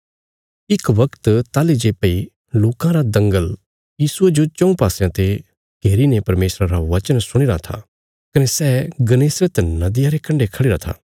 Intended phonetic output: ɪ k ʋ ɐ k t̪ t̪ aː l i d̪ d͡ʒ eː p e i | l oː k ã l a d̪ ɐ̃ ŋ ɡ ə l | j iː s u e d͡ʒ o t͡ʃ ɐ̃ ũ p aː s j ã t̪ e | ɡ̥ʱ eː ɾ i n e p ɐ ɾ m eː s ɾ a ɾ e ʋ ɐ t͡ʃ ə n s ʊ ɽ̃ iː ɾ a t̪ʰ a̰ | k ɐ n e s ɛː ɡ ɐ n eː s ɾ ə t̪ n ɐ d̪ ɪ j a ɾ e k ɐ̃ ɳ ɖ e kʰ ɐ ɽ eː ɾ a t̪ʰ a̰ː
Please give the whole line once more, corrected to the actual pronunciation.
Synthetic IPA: ɪ k ʋ ɐ k t̪ t̪ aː l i d͡ʒ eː p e i | l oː k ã ɾ a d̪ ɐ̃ ŋ ɡ ə l | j iː s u e d͡ʒ o t͡ʃ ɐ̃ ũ p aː s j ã t̪ e | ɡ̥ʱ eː ɾ i n e p ɐ ɾ m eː s ɾ a ɾ a ʋ ɐ t͡ʃ ə n s ʊ ɽ̃ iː ɾ a t̪ʰ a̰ | k ɐ n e s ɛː ɡ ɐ n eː s ɾ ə t̪ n ɐ d̪ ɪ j a ɾ e k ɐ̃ ɳ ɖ e kʰ ɐ ɽ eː ɾ a t̪ʰ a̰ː